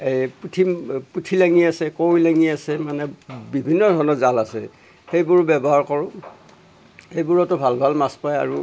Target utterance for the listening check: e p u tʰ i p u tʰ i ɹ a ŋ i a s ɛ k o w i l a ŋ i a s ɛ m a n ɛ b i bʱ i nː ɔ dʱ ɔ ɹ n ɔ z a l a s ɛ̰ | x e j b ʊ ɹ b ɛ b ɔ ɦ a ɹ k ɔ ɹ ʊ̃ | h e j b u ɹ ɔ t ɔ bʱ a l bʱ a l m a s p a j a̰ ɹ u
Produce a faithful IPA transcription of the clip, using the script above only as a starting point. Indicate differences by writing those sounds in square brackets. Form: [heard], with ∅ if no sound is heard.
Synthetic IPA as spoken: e p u tʰ i p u tʰ i [l] a ŋ i a s ɛ k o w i l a ŋ i a s ɛ m a n ɛ b i bʱ i nː ɔ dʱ ɔ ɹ n ɔ z a l a s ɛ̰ | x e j b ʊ ɹ b ɛ b ɔ ɦ a ɹ k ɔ ɹ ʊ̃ | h e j b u ɹ ɔ t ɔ bʱ a l bʱ a l m a s p a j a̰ ɹ u